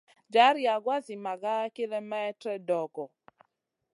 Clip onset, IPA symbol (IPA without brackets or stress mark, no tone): d͡ʒ